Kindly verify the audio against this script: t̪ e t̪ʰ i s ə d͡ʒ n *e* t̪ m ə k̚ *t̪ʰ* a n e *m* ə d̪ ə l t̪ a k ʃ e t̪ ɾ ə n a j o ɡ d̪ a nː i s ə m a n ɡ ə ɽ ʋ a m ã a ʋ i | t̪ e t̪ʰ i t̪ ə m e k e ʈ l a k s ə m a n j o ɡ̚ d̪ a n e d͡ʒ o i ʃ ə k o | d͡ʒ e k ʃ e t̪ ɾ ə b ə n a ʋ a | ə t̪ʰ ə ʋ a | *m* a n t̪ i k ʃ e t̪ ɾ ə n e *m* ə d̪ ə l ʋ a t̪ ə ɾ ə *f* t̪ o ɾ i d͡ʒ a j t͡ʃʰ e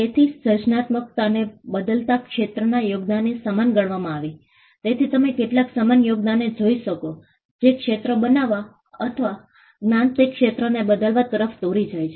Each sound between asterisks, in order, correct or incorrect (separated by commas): incorrect, incorrect, incorrect, incorrect, incorrect, correct